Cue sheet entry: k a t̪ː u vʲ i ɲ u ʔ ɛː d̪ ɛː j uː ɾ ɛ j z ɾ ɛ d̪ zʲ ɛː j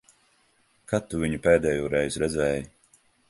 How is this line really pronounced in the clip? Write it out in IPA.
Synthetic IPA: k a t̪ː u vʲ i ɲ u p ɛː d̪ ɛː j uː ɾ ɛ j z ɾ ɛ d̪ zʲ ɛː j